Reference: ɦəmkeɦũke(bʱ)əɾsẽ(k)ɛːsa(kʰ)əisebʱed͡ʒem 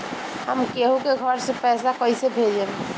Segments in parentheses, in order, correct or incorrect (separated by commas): incorrect, incorrect, incorrect